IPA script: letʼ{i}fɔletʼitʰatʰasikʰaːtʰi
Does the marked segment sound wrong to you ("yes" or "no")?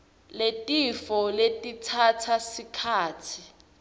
no